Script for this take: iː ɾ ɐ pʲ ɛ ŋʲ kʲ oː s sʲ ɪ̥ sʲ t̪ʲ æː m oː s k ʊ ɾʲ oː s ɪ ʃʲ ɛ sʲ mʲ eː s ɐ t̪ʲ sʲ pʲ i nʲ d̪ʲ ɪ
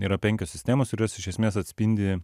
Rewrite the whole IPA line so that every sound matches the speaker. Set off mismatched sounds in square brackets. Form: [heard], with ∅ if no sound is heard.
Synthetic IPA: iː ɾ ɐ pʲ ɛ ŋʲ kʲ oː s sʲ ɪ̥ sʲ t̪ʲ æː m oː s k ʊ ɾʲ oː s ɪ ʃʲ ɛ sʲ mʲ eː s ɐ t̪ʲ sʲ pʲ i nʲ d̪ʲ ɪ